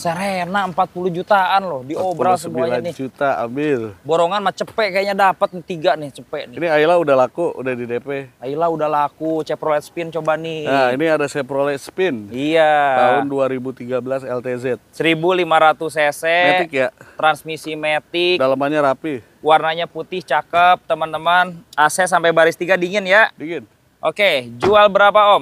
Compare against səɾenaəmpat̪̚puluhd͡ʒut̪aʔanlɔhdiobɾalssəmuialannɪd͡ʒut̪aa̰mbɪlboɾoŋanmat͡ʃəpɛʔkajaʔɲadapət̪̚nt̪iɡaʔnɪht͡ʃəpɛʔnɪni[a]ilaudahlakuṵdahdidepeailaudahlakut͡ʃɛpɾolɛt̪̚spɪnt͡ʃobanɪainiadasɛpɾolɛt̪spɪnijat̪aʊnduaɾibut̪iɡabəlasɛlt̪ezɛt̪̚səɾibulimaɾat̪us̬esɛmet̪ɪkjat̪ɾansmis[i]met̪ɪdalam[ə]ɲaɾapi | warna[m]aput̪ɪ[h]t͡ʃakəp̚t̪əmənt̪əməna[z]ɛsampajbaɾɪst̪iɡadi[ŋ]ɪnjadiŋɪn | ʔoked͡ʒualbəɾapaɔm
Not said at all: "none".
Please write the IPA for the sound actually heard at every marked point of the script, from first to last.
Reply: a, i, a, ɲ, h, s, ŋ

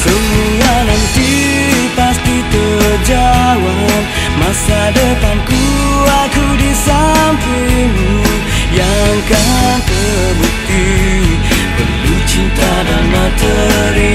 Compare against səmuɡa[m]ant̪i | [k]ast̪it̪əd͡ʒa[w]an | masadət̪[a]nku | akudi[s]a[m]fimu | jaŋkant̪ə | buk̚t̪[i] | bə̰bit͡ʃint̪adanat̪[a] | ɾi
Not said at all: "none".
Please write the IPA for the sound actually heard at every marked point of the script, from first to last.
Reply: n, p, w, a, s, m, i, ə

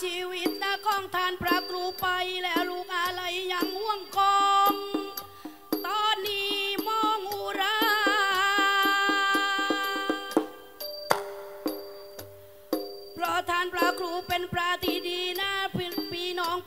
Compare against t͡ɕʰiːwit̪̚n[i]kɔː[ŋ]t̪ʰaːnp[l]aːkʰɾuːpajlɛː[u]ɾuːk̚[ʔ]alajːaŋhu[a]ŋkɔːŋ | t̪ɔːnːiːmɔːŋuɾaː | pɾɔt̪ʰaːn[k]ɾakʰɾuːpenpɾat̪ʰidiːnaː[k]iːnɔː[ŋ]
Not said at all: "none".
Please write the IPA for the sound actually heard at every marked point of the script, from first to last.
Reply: a, ŋ, ɾ, w, ʔ, ə, p, p, ŋ

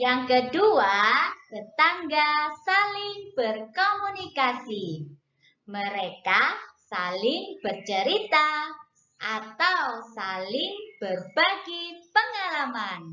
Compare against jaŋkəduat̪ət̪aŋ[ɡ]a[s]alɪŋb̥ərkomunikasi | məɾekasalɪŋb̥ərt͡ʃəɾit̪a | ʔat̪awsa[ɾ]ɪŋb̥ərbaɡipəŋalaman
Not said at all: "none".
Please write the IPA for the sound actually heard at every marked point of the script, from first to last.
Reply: ɡ, s, l

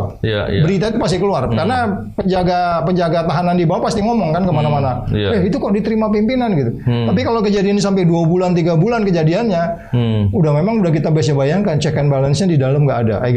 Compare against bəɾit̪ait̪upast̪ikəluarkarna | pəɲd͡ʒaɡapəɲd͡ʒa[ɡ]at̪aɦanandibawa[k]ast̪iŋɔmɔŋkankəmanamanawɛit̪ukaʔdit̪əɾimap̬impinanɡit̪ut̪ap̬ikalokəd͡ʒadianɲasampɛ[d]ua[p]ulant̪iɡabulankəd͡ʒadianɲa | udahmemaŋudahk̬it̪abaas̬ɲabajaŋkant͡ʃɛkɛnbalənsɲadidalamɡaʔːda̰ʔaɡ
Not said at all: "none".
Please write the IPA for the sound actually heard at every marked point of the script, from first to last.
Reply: ɡ, p, d, b

